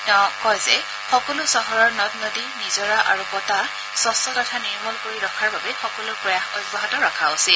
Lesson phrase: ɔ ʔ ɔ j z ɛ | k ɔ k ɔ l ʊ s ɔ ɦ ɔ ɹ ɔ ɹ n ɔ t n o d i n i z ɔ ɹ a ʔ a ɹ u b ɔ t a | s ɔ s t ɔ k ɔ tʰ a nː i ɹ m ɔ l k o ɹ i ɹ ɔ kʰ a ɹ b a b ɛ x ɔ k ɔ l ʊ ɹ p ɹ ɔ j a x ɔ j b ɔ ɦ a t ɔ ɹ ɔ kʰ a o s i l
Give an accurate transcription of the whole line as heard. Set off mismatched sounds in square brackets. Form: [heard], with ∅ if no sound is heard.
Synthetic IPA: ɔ [k] ɔ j z ɛ | [x] ɔ k ɔ l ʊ s ɔ ɦ ɔ ɹ ɔ ɹ n ɔ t n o d i n i z ɔ ɹ a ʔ a ɹ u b ɔ t a | s ɔ s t ɔ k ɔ tʰ a [n] i ɹ m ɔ l k o ɹ i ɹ ɔ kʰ a ɹ b a b ɛ x ɔ k ɔ l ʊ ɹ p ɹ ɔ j a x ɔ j b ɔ ɦ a t ɔ ɹ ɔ kʰ a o s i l

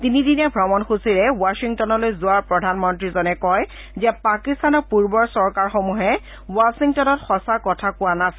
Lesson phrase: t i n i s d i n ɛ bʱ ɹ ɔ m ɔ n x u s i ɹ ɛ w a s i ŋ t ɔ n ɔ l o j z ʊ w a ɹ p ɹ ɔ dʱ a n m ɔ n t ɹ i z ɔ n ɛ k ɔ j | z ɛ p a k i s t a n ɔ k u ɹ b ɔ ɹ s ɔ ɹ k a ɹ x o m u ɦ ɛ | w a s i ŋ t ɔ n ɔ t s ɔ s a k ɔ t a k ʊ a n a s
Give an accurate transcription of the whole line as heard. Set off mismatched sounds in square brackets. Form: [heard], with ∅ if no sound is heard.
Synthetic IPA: t i n i [∅] d i n ɛ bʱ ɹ ɔ m ɔ n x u s i ɹ ɛ w a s i ŋ t ɔ n ɔ l o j z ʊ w a ɹ p ɹ ɔ dʱ a n m ɔ n t ɹ i z ɔ n ɛ k ɔ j | z ɛ p a k i s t a n ɔ [p] u ɹ b ɔ ɹ s ɔ ɹ k a ɹ x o m u ɦ ɛ | w a s i ŋ t ɔ n ɔ t [x] ɔ s a k ɔ [tʰ] a k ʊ a n a s

